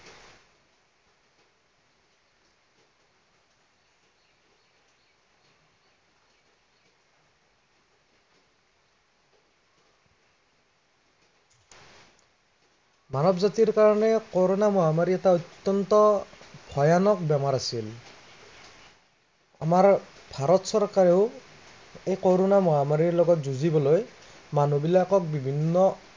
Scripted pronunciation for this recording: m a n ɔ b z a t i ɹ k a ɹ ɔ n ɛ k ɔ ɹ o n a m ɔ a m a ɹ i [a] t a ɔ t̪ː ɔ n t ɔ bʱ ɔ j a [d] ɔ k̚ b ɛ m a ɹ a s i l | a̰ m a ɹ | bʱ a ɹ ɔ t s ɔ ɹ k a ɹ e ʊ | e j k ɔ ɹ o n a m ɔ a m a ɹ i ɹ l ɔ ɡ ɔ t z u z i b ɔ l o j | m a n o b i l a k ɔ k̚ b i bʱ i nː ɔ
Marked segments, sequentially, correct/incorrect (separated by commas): incorrect, incorrect